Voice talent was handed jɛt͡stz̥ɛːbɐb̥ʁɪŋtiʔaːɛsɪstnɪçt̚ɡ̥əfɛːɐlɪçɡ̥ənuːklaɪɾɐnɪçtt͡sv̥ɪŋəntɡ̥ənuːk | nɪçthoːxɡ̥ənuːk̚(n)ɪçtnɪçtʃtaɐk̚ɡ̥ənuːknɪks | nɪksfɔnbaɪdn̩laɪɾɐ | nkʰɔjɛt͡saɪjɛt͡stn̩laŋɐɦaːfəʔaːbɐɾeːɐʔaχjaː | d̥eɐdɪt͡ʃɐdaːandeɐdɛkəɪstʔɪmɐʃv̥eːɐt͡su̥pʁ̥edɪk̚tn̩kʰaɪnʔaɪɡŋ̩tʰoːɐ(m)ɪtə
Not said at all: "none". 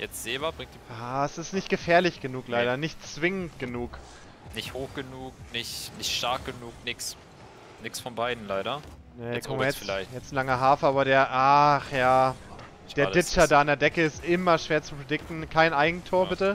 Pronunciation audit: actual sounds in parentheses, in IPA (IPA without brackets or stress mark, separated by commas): n, b